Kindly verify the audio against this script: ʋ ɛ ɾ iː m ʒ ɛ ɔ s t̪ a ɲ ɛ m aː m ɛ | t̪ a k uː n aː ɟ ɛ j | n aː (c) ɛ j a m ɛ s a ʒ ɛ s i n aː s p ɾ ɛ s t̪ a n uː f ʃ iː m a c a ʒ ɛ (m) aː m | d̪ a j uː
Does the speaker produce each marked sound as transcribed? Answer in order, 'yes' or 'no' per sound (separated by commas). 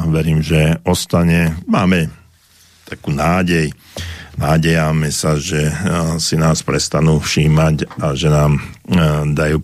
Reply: no, no